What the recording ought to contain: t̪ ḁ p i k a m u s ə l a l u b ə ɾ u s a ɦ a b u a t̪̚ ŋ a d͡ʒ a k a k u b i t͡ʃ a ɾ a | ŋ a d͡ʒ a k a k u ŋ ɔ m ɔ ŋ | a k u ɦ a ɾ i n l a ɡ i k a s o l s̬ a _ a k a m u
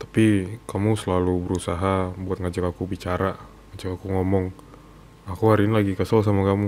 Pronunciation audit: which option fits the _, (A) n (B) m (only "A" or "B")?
B